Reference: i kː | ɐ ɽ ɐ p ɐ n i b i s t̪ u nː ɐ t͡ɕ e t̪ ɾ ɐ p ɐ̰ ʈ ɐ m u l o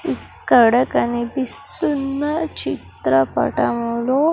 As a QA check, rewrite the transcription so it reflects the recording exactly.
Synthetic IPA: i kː | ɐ ɽ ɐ k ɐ n i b i s t̪ u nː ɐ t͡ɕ i t̪ ɾ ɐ p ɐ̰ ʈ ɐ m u l o